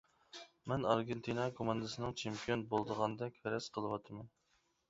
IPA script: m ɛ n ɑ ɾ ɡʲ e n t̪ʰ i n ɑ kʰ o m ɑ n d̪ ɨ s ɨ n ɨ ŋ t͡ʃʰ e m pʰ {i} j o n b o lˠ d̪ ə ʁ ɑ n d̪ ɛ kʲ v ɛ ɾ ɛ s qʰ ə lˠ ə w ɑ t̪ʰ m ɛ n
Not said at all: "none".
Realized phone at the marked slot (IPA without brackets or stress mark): i